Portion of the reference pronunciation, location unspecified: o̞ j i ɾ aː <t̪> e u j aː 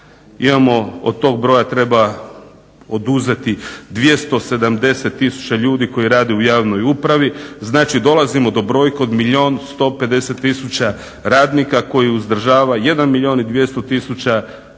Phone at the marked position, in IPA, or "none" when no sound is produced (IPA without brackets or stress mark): d̪